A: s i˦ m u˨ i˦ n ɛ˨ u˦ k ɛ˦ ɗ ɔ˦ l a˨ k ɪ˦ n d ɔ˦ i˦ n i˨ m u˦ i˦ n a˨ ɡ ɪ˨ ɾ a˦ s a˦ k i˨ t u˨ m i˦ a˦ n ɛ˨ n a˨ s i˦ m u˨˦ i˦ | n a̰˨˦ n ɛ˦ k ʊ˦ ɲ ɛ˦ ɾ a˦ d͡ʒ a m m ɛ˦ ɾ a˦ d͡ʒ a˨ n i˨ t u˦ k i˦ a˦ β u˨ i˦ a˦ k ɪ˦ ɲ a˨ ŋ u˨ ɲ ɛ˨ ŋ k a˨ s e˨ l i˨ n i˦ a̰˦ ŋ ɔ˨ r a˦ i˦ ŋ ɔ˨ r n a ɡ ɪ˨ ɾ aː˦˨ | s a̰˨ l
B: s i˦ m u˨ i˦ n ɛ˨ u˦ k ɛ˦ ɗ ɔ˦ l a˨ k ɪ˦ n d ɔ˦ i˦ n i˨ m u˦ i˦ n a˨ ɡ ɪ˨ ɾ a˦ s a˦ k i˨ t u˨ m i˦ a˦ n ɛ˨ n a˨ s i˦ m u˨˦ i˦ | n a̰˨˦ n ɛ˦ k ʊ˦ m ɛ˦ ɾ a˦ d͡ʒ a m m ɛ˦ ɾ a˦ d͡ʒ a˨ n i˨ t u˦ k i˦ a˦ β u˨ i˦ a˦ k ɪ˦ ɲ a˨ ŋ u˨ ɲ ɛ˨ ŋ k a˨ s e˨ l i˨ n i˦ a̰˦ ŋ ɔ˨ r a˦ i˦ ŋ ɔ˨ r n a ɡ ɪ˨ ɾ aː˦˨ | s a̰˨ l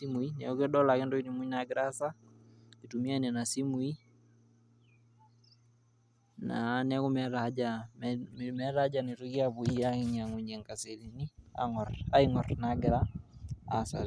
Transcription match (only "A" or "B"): B